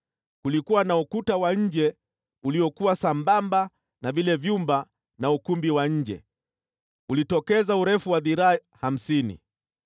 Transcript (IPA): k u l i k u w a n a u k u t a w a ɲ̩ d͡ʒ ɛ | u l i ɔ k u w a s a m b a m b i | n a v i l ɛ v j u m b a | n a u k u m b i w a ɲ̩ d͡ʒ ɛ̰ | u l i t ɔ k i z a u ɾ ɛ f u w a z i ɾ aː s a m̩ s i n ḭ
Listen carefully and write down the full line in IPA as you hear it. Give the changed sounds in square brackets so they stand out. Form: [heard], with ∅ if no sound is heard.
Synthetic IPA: k u l i k u w a n a u k u t a w a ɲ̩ d͡ʒ ɛ | u l i ɔ k u w a s a m b a m b [a] | n a v i l ɛ v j u m b a | n a u k u m b i w a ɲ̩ d͡ʒ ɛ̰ | u l i t ɔ k [ɛ] z a u ɾ ɛ f u w a [ð] i ɾ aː [h] a m̩ s i n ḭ